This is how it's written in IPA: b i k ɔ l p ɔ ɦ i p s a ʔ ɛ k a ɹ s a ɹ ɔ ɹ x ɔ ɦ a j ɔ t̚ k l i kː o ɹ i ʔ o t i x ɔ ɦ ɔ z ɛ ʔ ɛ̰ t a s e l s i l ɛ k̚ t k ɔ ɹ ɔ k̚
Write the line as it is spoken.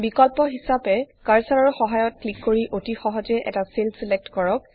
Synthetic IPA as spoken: b i k ɔ l p ɔ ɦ i s a p ɛ k a ɹ s a ɹ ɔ ɹ x ɔ ɦ a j ɔ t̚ k l i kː o ɹ i ʔ o t i x ɔ ɦ ɔ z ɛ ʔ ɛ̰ t a s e l s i l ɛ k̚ t k ɔ ɹ ɔ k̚